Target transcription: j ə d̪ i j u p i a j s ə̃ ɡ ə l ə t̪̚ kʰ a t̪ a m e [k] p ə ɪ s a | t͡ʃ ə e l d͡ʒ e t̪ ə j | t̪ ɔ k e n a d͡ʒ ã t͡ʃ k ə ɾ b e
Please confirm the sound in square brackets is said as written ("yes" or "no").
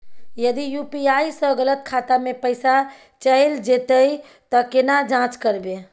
no